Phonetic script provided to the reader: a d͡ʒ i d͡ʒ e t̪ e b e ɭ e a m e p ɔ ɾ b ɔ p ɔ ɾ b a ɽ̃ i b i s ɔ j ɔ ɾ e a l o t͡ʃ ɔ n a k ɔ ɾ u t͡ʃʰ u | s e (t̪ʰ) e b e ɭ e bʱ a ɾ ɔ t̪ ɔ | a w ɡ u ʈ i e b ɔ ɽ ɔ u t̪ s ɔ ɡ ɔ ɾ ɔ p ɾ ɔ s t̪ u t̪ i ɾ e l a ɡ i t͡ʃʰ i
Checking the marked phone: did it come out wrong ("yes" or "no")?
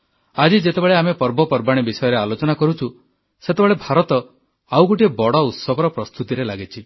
yes